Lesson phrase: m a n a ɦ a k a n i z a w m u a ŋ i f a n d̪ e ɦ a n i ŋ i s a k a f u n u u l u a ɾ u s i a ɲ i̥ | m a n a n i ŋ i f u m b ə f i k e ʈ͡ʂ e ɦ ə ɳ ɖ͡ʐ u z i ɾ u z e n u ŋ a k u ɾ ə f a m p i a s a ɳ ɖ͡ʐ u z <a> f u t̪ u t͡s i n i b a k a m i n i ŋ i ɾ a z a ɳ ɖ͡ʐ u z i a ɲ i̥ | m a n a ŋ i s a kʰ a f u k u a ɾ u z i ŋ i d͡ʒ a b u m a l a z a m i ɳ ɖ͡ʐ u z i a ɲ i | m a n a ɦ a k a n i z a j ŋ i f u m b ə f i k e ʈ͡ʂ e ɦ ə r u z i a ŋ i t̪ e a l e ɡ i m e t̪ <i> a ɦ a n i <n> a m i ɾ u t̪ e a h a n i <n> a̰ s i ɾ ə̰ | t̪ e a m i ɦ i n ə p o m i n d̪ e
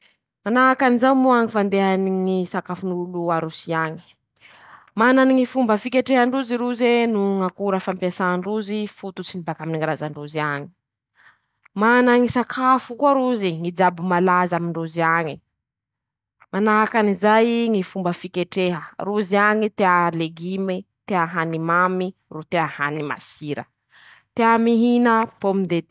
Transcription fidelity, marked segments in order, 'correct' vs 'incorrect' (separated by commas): incorrect, incorrect, incorrect, incorrect